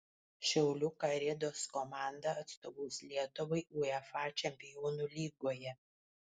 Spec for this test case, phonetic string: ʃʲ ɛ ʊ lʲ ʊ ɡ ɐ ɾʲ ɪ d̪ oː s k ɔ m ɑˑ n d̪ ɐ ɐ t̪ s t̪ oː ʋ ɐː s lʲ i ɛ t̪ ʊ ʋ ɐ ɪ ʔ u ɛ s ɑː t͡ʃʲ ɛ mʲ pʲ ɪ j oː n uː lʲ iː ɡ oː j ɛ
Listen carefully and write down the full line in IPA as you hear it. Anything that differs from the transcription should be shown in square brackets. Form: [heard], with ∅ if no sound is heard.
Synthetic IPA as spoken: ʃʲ ɛ ʊ lʲ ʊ [k] ɐ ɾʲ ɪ d̪ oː s k ɔ m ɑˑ n d̪ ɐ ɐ t̪ s t̪ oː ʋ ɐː s lʲ i ɛ t̪ ʊ ʋ ɐ ɪ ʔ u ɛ [f] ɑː t͡ʃʲ ɛ mʲ pʲ ɪ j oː n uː lʲ iː ɡ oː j ɛ